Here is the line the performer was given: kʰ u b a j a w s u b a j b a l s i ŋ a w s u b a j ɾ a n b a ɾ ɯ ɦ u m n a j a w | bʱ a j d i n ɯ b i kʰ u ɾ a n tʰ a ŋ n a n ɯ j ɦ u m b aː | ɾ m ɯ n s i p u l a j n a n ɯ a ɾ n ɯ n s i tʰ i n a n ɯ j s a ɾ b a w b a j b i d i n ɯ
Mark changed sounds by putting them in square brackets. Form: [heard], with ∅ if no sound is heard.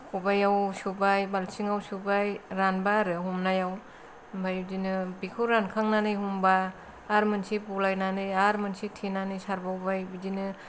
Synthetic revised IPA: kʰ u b a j a w s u b a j b a l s i ŋ a w s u b a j ɾ a n b a ɾ ɯ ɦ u m n a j a w | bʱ a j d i n ɯ b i kʰ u ɾ a n [kʰ] a ŋ n a n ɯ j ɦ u m b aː | ɾ m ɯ n s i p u l a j n a n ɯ a ɾ [m] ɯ n s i tʰ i n a n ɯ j s a ɾ b a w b a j b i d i n ɯ